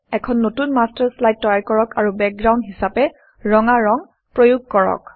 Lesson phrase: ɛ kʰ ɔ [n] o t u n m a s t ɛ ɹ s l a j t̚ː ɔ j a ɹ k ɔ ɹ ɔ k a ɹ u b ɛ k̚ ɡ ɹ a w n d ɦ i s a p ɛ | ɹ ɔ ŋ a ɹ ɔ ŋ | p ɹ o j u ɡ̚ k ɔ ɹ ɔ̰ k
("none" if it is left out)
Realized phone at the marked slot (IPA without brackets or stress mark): nː